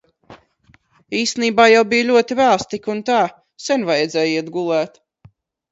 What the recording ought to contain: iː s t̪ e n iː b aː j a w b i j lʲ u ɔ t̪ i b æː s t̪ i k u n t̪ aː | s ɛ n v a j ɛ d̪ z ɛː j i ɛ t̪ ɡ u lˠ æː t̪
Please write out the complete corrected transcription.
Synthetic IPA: iː s t̪ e n iː b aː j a w b i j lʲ u ɔ t̪ i v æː s t̪ i k u n t̪ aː | s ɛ n v a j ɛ d̪ z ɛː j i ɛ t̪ ɡ u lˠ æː t̪